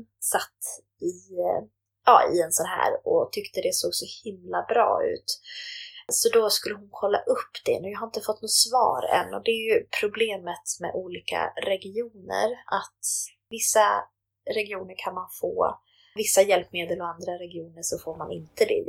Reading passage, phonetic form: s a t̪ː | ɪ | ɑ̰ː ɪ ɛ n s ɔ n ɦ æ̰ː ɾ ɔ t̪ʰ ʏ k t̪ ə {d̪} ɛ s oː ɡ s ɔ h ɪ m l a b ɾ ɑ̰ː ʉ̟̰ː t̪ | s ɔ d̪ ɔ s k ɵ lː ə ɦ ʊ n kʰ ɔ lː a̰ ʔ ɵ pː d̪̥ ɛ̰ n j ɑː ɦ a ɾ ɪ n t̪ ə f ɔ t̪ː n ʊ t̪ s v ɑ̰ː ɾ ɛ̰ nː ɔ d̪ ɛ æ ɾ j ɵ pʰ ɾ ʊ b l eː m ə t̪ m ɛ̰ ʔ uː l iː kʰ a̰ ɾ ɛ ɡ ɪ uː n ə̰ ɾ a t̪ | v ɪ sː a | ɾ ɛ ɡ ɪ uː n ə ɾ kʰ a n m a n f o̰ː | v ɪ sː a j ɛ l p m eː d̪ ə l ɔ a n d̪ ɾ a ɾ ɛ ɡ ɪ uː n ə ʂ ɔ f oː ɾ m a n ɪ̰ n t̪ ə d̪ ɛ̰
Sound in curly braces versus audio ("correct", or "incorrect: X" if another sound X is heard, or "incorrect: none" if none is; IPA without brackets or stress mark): correct